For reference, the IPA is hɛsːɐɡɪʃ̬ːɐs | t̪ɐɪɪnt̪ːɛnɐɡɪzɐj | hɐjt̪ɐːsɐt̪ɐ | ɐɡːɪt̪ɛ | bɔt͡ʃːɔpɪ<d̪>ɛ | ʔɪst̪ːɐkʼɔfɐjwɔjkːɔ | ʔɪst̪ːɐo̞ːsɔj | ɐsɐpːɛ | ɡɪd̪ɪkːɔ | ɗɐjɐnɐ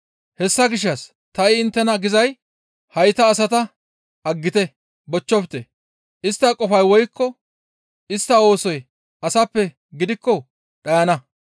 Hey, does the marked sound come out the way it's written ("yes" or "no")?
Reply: no